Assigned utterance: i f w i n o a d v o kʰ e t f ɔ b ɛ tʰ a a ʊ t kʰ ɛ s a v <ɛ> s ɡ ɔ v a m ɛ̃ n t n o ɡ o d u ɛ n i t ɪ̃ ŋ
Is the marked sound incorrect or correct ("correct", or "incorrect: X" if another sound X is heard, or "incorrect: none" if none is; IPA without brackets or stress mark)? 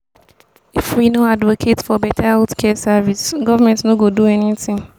incorrect: i